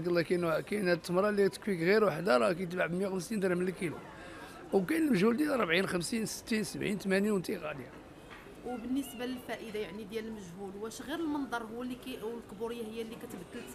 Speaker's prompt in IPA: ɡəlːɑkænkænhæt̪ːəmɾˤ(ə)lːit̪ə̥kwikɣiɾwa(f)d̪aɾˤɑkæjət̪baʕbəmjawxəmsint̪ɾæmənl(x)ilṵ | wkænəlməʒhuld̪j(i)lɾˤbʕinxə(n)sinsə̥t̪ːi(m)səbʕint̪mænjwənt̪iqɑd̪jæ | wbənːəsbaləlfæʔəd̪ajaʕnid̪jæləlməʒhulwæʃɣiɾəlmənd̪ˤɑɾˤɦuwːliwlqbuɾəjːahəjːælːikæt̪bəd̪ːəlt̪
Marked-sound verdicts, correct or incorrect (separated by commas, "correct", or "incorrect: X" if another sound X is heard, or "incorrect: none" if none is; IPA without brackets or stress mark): incorrect: ɑ, incorrect: ħ, incorrect: k, incorrect: æ, incorrect: m, incorrect: n